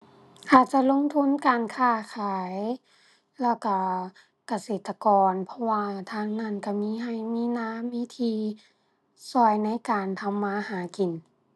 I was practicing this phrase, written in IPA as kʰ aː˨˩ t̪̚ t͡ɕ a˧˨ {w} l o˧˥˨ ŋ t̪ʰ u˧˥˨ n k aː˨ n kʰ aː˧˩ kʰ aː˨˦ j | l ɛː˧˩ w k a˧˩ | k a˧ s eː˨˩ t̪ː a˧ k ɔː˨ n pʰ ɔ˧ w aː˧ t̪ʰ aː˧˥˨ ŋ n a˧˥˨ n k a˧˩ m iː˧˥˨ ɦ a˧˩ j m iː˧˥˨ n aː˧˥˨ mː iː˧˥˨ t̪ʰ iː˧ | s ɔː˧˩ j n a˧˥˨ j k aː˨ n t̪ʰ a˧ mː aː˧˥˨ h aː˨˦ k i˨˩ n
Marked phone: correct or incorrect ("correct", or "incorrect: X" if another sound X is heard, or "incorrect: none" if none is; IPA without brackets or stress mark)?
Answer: incorrect: none